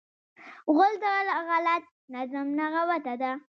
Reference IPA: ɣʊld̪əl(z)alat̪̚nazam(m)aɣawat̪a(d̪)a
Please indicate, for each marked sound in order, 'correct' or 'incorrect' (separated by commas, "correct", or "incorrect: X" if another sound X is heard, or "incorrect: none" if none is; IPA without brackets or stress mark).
incorrect: ɣ, incorrect: n, correct